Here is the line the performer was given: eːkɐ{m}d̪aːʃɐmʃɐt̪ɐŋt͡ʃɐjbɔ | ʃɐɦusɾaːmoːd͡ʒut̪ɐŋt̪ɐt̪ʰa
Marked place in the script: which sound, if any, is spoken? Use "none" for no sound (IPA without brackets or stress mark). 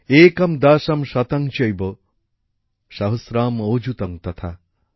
m